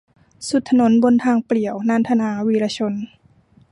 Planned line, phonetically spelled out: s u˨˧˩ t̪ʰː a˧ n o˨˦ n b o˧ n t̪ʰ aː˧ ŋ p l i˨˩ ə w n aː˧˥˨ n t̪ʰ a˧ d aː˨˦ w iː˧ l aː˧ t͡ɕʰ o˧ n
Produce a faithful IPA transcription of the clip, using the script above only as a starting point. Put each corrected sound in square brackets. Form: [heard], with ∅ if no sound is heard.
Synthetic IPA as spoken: s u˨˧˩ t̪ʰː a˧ n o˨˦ n b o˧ n t̪ʰ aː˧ ŋ p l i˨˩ ə w n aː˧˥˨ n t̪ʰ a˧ [n] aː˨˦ w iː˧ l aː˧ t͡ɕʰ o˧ n